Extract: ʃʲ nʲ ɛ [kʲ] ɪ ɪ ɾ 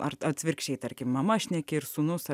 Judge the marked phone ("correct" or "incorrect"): correct